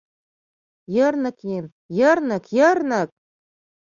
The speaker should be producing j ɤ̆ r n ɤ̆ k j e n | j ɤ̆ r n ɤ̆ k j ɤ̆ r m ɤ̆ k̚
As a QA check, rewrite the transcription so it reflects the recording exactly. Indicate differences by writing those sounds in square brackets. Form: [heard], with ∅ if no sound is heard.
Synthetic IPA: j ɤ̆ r n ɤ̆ k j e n | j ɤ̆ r n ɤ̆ k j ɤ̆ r [n] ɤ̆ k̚